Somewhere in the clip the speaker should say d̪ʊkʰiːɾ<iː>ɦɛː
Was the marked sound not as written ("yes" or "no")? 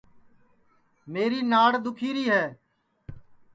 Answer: no